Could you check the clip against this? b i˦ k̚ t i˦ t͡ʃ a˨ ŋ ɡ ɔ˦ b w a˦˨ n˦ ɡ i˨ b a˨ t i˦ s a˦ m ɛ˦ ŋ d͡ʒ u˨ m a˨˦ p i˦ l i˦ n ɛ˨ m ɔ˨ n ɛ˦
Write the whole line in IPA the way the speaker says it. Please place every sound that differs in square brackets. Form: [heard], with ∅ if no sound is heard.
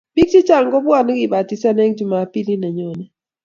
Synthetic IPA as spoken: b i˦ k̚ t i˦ t͡ʃ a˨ ŋ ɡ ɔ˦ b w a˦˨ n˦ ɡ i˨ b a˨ t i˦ s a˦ [n] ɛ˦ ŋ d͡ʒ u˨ m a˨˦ p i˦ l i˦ n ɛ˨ [ɲ] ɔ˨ n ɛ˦

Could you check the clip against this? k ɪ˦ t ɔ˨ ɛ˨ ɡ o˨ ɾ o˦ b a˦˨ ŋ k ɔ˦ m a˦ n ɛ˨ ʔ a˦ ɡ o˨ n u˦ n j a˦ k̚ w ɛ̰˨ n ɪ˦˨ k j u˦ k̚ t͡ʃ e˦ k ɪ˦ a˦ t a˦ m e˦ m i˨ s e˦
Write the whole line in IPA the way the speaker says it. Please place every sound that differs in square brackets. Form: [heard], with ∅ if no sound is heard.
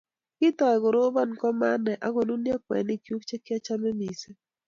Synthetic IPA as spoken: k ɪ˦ t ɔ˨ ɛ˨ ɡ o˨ ɾ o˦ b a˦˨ [n] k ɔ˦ m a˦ n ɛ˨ ʔ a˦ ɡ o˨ n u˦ n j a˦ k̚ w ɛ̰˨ n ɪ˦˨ k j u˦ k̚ t͡ʃ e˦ k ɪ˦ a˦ [t͡ʃ] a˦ m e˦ m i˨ s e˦

